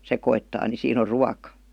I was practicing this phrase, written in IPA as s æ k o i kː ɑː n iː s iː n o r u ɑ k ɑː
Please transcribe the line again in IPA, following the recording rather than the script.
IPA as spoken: s e k o i tː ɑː n i s iː n o r u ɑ k ɑ